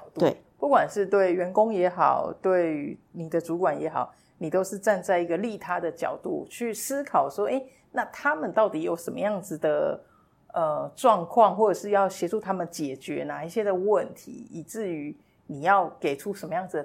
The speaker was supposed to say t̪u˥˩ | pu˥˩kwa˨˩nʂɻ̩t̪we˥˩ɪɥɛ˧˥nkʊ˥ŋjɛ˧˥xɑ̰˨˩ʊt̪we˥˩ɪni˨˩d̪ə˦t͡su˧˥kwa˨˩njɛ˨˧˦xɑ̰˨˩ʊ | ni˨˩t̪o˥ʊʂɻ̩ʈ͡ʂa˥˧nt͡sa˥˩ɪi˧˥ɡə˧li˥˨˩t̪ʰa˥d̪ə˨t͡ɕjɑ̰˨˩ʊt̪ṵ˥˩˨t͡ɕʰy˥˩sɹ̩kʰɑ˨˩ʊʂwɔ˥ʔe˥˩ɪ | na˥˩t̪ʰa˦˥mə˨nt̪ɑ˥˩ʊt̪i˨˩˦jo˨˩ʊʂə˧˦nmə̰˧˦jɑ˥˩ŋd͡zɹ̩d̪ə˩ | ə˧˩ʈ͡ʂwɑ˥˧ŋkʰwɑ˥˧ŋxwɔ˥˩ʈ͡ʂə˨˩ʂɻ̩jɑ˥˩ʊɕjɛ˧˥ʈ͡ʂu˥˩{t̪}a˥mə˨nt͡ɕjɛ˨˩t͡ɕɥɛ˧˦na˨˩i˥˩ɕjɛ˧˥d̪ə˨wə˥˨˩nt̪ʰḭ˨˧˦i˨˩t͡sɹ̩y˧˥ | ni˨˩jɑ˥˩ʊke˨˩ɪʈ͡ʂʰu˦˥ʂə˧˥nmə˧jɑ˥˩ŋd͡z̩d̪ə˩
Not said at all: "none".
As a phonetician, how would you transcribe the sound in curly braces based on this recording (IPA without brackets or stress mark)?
t̪ʰ